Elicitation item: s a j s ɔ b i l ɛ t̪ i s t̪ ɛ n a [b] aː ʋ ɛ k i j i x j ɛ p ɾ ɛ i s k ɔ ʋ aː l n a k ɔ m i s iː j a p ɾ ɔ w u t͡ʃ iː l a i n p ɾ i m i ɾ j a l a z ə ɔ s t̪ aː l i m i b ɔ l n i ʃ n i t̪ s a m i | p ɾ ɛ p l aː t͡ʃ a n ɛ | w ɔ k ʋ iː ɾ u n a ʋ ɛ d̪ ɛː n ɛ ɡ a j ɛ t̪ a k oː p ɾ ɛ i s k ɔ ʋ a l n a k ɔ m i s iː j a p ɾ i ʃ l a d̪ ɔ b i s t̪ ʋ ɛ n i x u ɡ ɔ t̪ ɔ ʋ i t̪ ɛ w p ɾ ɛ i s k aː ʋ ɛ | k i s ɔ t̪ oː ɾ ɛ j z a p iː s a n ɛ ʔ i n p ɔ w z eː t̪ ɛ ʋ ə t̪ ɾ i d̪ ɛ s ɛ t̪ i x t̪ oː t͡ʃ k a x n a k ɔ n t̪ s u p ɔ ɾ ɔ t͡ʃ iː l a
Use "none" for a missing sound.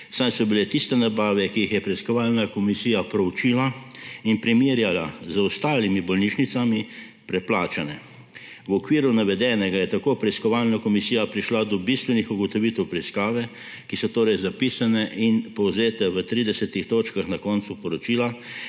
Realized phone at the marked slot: b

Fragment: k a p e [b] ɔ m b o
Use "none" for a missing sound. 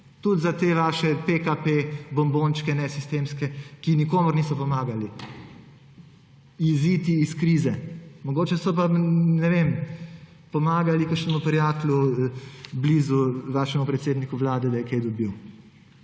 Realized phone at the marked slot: b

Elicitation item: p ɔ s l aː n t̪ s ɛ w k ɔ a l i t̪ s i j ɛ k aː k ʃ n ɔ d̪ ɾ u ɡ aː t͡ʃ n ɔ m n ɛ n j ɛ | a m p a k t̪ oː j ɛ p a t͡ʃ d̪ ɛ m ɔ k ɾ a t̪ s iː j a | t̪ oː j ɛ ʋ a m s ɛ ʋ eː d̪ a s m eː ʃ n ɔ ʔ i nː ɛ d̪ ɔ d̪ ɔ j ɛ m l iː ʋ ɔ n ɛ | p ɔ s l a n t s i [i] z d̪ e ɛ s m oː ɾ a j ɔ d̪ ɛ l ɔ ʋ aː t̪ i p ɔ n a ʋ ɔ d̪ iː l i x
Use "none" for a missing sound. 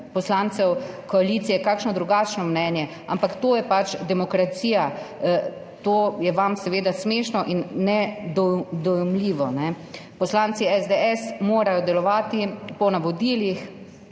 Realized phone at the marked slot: ɛ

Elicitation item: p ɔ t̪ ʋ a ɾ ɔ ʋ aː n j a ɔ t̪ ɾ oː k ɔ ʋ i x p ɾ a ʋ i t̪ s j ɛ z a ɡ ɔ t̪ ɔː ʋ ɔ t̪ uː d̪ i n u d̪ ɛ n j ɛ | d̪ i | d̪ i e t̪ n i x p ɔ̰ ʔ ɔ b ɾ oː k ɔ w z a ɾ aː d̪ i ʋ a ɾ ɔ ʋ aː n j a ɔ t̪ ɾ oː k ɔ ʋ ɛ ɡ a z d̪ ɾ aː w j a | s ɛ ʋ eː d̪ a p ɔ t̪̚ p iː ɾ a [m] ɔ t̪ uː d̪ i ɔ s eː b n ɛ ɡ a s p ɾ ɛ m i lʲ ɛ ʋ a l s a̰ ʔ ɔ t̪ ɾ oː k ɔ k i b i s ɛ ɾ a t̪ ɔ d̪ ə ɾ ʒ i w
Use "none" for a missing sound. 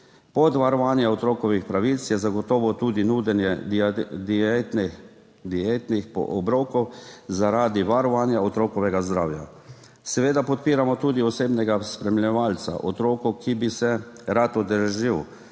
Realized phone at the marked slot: m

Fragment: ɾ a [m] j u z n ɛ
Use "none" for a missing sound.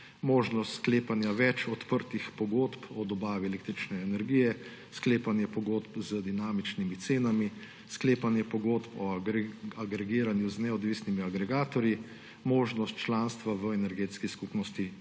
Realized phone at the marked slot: n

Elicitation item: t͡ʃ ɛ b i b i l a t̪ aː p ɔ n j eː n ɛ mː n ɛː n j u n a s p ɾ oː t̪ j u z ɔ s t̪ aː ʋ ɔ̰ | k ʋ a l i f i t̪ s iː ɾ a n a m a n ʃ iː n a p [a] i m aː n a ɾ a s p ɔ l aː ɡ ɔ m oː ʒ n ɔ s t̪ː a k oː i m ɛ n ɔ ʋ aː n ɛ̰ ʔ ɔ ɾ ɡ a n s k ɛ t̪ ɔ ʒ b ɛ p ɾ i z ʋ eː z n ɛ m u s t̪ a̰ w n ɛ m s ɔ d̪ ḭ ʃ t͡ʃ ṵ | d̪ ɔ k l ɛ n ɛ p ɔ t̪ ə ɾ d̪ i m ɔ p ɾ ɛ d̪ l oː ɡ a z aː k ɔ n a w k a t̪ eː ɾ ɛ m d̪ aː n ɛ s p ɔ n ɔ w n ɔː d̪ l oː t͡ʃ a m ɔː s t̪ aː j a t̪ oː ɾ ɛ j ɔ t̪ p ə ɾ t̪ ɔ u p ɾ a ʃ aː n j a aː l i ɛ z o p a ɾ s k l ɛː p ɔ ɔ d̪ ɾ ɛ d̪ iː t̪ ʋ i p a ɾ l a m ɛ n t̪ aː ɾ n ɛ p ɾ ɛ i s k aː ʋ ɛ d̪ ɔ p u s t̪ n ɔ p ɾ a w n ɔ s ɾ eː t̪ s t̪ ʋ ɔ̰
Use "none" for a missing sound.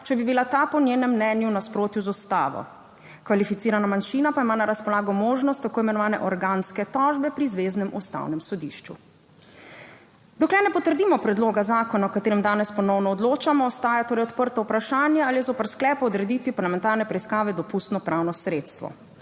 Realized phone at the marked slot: a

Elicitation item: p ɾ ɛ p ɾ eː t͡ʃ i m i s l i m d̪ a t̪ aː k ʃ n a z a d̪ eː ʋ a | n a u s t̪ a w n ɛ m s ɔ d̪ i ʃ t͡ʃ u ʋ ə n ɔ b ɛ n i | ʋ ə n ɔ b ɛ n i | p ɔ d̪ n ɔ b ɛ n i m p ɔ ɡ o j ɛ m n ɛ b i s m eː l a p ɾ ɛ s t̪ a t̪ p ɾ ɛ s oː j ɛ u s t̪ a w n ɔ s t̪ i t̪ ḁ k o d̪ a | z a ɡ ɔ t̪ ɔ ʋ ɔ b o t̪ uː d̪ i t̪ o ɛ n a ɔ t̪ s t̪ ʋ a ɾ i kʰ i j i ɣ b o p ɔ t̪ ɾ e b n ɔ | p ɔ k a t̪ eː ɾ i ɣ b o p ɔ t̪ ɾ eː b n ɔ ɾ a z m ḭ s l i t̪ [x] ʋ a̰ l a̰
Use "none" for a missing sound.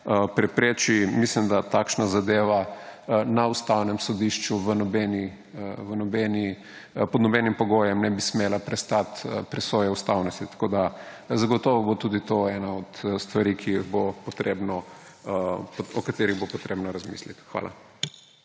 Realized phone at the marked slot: x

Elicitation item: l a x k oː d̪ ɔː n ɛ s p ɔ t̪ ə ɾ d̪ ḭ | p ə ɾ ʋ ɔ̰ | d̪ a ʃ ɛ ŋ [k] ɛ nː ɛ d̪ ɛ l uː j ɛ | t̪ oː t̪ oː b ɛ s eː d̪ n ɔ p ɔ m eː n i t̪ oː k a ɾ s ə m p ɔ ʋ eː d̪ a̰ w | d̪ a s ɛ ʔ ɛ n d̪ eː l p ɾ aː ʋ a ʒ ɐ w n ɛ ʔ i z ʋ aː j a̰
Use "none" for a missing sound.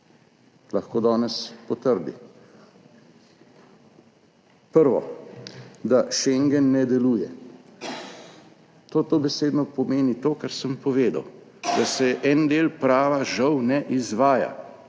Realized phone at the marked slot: ɡ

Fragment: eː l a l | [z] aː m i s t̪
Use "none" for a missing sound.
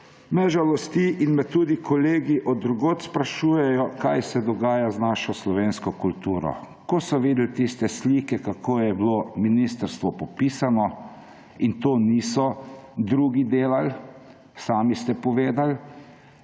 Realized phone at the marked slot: s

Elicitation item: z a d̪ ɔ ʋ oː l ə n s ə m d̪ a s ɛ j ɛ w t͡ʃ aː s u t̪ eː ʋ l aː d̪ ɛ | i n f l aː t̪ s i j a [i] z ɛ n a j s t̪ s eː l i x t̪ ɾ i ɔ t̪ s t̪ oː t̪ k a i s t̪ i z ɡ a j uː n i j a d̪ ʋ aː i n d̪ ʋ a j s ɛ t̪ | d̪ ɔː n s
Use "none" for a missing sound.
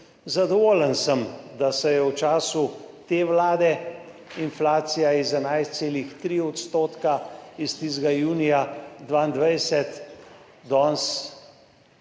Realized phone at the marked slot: i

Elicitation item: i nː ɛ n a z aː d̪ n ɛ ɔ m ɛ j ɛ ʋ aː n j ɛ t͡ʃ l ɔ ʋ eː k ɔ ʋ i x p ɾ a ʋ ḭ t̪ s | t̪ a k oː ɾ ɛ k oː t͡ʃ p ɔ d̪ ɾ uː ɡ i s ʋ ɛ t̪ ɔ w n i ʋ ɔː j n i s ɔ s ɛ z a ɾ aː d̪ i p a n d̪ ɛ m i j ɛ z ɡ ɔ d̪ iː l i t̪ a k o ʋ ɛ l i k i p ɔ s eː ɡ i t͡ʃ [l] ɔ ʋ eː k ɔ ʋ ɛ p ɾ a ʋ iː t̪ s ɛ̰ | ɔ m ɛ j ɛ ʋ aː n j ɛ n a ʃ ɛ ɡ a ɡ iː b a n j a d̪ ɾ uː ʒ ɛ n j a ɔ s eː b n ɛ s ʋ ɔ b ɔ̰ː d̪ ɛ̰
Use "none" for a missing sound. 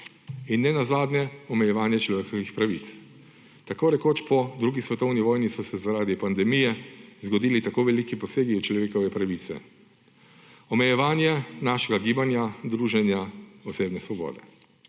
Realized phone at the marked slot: l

